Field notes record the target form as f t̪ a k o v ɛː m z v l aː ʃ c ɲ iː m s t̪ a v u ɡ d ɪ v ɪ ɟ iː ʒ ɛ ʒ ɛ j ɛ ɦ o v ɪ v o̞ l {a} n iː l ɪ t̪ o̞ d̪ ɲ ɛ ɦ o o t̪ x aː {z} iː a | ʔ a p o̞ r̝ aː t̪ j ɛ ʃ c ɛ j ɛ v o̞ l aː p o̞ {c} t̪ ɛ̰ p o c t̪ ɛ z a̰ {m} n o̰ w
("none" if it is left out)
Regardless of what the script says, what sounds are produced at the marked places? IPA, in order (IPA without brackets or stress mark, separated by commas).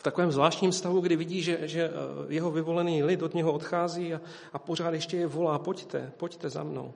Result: ɛ, z, c, m